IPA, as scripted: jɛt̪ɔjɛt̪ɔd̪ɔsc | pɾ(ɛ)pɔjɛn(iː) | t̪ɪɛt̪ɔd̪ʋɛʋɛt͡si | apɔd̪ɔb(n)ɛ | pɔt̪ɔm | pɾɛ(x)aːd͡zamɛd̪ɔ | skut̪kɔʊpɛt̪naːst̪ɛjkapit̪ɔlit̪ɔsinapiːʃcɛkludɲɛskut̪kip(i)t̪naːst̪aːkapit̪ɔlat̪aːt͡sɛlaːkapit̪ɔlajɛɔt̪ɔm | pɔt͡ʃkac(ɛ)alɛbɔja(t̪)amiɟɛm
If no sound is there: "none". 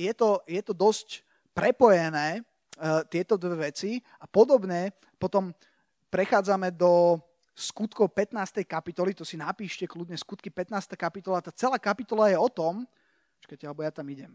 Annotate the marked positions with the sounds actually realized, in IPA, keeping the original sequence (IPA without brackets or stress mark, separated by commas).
ɛ, ɛː, ɲ, x, ɛ, ɛ, t̪